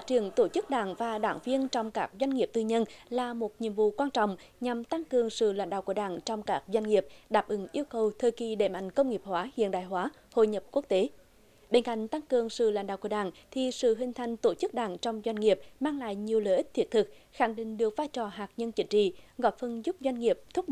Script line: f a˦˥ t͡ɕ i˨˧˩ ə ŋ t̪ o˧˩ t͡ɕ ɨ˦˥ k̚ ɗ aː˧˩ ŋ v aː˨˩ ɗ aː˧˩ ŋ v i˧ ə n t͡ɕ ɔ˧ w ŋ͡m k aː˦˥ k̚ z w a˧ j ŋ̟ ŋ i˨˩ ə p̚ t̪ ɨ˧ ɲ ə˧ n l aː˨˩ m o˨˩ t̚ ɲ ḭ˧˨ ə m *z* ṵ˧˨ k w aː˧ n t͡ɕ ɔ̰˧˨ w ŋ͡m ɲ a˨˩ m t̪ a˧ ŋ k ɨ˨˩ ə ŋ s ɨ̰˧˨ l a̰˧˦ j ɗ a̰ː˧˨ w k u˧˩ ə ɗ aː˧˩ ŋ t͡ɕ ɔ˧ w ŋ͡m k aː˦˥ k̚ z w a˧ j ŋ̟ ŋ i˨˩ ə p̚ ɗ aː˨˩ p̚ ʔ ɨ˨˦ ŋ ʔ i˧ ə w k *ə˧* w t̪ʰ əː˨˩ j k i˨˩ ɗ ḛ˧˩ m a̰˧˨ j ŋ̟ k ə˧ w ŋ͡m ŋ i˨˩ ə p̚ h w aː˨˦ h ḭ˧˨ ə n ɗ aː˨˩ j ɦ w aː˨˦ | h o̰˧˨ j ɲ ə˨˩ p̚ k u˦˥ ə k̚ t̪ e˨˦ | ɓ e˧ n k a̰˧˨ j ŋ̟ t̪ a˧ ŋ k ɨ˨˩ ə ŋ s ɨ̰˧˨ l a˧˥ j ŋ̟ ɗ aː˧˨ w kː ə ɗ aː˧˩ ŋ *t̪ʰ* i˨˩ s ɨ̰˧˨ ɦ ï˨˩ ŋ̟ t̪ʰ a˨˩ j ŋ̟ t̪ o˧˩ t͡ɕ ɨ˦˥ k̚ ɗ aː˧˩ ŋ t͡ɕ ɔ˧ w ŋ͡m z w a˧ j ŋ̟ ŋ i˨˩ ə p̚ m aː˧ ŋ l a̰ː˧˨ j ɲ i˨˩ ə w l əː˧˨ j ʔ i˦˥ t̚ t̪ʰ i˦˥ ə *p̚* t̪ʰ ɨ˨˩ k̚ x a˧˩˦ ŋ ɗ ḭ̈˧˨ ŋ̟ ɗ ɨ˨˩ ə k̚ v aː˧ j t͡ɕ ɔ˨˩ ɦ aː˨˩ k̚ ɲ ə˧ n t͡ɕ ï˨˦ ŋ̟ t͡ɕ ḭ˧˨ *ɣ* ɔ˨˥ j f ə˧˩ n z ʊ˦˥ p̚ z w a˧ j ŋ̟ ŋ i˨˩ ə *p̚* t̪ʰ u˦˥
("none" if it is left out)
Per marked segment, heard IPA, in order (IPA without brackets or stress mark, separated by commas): v, ə˨˩, t̪ʰ, t̚, ɣ, p̚